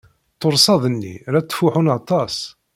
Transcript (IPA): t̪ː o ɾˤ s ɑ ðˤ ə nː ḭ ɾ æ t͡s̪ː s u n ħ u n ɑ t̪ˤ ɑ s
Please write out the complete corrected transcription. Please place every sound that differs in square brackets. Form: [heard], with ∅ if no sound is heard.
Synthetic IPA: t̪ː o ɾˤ s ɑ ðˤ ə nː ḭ ɾ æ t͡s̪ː [f] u [∅] ħ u n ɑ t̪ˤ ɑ s